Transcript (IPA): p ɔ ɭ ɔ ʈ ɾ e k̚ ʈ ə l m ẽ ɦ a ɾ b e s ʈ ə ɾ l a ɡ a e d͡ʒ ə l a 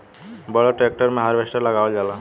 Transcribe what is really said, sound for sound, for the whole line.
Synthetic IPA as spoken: b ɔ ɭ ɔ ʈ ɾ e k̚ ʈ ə ɾ m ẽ ɦ a ɾ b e s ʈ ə ɾ l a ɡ a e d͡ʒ a l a